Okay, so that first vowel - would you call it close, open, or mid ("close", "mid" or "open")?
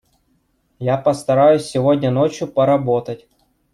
open